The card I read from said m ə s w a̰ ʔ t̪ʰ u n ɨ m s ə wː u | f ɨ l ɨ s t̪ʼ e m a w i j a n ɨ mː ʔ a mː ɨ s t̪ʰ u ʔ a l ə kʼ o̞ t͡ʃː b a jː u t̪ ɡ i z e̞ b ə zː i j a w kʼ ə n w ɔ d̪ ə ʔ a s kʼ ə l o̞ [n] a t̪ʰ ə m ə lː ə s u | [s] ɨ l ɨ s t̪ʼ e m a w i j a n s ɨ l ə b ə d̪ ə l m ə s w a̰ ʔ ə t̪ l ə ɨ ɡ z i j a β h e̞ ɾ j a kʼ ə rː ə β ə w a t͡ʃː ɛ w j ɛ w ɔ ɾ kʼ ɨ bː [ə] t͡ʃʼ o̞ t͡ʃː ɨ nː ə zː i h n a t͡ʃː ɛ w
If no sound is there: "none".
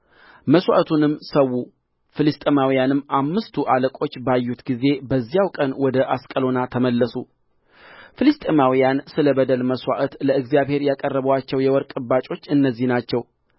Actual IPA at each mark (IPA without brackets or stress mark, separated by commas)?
n, f, a